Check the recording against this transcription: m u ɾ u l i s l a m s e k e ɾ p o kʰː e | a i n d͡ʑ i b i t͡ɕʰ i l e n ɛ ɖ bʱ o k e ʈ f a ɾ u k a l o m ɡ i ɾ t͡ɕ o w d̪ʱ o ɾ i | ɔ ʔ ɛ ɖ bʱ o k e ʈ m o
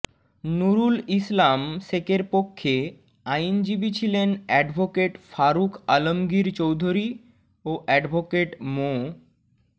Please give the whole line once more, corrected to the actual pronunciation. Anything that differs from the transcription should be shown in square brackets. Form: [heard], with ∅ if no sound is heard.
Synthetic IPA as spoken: [n] u ɾ u l i s l a m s e k e ɾ p o kʰː e | a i n d͡ʑ i b i t͡ɕʰ i l e n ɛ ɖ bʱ o k e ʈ f a ɾ u k a l o m ɡ i ɾ t͡ɕ o w d̪ʱ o ɾ i | [o] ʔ ɛ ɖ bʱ o k e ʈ m o

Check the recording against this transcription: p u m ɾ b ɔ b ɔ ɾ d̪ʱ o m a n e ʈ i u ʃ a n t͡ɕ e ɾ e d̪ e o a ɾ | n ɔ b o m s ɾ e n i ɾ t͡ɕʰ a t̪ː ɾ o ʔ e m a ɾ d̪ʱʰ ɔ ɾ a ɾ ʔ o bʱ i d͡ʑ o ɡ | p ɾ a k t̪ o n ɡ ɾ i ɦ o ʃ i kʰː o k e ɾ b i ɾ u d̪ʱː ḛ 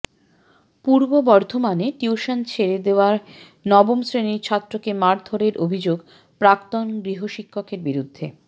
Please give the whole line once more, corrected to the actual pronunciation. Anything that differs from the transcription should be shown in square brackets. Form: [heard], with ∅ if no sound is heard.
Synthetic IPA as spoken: p u [∅] ɾ b [o] b ɔ ɾ d̪ʱ o m a n e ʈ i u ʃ a n [t͡ɕʰ] e ɾ e d̪ e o a ɾ | n ɔ b o m s ɾ e n i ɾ t͡ɕʰ a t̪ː ɾ o [k] e m a ɾ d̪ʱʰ [o] ɾ [e] ɾ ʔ o bʱ i d͡ʑ o ɡ | p ɾ a k t̪ o n ɡ ɾ i ɦ o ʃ i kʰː o k e ɾ b i ɾ u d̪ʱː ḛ

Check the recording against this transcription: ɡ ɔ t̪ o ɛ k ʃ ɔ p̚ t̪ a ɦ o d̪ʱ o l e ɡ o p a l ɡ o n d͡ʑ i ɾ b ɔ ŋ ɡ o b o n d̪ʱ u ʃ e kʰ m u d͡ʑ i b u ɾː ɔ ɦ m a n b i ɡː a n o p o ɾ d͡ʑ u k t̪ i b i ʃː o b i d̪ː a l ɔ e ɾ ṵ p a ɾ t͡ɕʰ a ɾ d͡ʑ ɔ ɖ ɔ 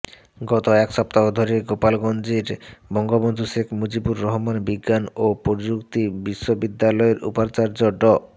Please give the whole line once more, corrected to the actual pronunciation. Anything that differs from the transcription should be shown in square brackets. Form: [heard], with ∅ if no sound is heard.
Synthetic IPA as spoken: ɡ ɔ t̪ o ɛ k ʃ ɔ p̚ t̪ a ɦ o d̪ʱ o [ɾ] e ɡ o p a l ɡ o n d͡ʑ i ɾ b ɔ ŋ ɡ o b o n d̪ʱ u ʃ e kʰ m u d͡ʑ i b u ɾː ɔ ɦ m a n b i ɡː a n o p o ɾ d͡ʑ u k t̪ i b i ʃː o b i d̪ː a l ɔ e ɾ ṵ p a ɾ [t͡ɕ] a ɾ d͡ʑ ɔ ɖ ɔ

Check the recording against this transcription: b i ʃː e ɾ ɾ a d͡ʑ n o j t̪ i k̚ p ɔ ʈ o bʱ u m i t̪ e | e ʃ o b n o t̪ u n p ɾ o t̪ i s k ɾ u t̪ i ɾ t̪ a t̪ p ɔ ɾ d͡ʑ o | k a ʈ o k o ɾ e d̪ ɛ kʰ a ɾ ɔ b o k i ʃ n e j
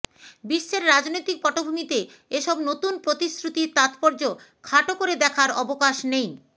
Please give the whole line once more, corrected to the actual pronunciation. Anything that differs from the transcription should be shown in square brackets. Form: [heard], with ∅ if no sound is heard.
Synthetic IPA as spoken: b i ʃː e ɾ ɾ a d͡ʑ n o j t̪ i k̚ p ɔ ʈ o bʱ u m i t̪ e | e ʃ [ɔ] b n o t̪ u n p ɾ o t̪ i s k ɾ u t̪ i ɾ t̪ a t̪ p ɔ ɾ d͡ʑ o | [kʰ] a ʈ o k o ɾ e d̪ ɛ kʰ a ɾ ɔ b o k [a] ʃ n e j

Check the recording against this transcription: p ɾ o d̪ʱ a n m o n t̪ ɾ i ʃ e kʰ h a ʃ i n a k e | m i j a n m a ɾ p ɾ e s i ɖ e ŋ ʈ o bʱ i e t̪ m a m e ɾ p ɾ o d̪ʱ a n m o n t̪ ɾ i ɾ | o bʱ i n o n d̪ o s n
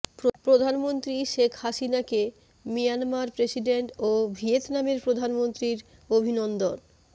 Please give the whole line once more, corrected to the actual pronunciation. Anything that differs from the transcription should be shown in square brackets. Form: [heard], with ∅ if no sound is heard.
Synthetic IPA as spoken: p ɾ o d̪ʱ a n m o n t̪ ɾ i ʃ e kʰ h a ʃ i n a k e | m i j a n m a ɾ p ɾ e s i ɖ e [ɳ] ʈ o bʱ i e t̪ [n] a m e ɾ p ɾ o d̪ʱ a n m o n t̪ ɾ i ɾ | o bʱ i n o n d̪ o [∅] n

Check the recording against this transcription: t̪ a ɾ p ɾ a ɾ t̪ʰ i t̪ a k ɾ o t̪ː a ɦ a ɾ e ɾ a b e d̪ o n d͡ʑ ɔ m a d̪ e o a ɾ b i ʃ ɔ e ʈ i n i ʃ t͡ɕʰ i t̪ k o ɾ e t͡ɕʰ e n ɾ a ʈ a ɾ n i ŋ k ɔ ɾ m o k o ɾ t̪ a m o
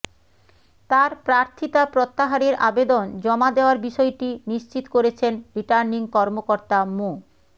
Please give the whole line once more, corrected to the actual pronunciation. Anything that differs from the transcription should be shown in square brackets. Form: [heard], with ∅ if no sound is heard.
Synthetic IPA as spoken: t̪ a ɾ p ɾ a ɾ t̪ʰ i t̪ a [p] ɾ o t̪ː a ɦ a ɾ e ɾ a b e d̪ o n d͡ʑ ɔ m a d̪ e o a ɾ b i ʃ ɔ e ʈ i n i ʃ [t͡ɕ] i t̪ k o ɾ e t͡ɕʰ e n ɾ [i] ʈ a ɾ n i ŋ k ɔ ɾ m o k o ɾ t̪ a m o

